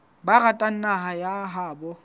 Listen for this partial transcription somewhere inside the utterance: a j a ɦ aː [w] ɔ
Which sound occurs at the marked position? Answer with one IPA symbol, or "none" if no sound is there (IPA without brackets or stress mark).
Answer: b